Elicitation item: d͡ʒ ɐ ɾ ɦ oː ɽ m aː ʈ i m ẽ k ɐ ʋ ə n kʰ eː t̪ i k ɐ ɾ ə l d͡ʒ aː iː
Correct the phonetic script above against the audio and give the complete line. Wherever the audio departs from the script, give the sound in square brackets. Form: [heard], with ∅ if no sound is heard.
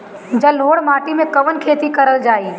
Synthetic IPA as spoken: d͡ʒ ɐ [l] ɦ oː ɽ m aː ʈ i m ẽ k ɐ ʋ ə n kʰ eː t̪ i k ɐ ɾ ə l d͡ʒ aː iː